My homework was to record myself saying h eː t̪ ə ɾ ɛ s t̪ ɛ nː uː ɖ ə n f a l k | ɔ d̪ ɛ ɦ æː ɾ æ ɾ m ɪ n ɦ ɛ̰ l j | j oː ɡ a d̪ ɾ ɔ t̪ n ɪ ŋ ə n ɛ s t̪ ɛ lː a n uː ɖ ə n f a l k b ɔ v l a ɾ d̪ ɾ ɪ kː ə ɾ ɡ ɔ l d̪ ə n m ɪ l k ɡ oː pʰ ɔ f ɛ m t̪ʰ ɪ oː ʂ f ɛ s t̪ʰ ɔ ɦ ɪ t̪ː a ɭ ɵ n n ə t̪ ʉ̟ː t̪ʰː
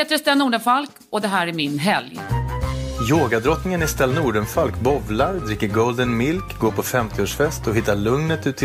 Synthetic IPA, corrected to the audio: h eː t̪ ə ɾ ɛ s t̪ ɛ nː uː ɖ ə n f a l k | ɔ d̪ ɛ ɦ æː ɾ æ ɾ m ɪ n ɦ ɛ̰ l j | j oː ɡ a d̪ ɾ ɔ t̪ n ɪ ŋ ə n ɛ s t̪ ɛ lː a n uː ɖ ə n f a l k b ɔ v l a ɾ d̪ ɾ ɪ kː ə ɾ ɡ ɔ l d̪ ə n m ɪ l k ɡ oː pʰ ɔ f ɛ m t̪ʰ ɪ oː ʂ f ɛ s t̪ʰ ɔ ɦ ɪ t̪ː a ɭ ɵ ŋ n ə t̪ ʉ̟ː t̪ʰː